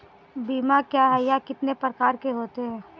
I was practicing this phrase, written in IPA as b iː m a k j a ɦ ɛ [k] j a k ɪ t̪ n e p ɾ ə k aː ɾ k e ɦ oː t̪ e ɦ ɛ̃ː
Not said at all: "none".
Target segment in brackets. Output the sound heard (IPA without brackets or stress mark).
none